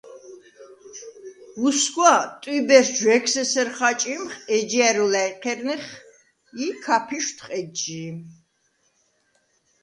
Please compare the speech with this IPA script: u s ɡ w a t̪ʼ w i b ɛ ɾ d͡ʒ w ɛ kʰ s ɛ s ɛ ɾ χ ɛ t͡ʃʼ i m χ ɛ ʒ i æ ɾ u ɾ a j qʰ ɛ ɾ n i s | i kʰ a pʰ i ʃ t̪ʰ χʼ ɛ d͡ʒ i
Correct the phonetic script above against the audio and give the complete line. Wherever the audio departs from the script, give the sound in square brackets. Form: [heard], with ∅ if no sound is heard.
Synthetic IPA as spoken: u s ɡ w a t̪ʼ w i b ɛ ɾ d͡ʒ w ɛ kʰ s ɛ s ɛ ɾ χ [a] t͡ʃʼ i m χ ɛ [d͡ʒ] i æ ɾ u [l] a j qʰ ɛ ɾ n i [χ] | i kʰ a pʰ i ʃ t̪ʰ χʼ ɛ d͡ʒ i